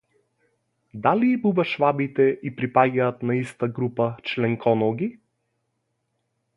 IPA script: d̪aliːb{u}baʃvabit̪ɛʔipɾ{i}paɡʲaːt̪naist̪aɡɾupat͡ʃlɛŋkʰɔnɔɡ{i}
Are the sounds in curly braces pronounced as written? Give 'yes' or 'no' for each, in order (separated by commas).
yes, yes, yes